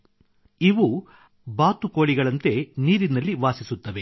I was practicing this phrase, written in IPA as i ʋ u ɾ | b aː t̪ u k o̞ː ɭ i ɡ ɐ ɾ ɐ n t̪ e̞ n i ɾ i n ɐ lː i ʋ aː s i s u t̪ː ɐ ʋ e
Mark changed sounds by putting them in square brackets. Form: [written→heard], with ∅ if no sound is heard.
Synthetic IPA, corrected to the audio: i ʋ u [ɾ→∅] | b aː t̪ u k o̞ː ɭ i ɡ ɐ [ɾ→ɭ] ɐ n t̪ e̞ n [i→iː] ɾ i n ɐ lː i ʋ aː s i s u t̪ː ɐ ʋ e